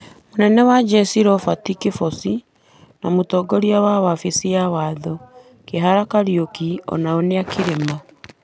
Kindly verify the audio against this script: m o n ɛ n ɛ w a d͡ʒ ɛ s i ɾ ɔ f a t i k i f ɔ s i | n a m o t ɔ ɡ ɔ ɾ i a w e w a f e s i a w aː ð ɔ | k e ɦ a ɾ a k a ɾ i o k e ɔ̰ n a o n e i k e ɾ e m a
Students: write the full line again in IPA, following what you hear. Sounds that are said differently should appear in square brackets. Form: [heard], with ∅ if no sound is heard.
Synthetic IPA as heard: m o n ɛ n ɛ w a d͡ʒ ɛ s i ɾ ɔ f a t i k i f ɔ s i | n a m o t ɔ ɡ ɔ ɾ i a w [a] w a f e s i a w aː ð ɔ | k e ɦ a ɾ a k a ɾ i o k [i] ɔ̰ n a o n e [a] k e ɾ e m a